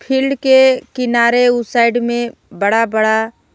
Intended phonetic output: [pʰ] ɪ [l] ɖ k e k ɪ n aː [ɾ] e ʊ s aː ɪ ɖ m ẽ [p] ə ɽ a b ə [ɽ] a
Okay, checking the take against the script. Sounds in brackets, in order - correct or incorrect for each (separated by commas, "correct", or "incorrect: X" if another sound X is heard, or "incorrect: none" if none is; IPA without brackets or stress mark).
correct, correct, correct, incorrect: b, correct